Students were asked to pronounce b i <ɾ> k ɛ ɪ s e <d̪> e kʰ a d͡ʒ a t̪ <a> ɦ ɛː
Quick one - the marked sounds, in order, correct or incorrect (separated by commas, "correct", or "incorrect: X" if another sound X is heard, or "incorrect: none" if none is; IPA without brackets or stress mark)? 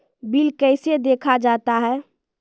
incorrect: l, correct, correct